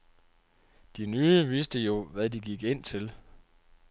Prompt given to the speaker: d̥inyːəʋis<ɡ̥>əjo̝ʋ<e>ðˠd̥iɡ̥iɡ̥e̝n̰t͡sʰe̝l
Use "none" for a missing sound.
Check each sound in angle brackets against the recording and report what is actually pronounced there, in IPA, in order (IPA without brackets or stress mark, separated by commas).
d̥, æ